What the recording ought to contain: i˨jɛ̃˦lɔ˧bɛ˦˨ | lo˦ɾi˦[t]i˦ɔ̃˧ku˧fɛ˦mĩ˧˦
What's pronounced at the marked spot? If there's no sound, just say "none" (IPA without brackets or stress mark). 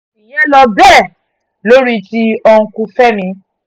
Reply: t